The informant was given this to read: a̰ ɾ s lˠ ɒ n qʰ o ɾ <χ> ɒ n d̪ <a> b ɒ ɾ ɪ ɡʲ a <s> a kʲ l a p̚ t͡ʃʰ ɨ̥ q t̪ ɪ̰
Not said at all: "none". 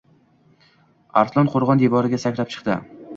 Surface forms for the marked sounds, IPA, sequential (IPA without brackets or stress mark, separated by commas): ʁ, e, s